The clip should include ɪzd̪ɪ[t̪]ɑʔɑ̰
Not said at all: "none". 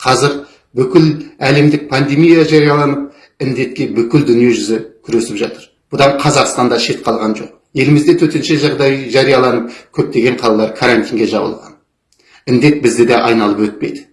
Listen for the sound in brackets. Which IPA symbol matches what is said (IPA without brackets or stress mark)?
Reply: d̪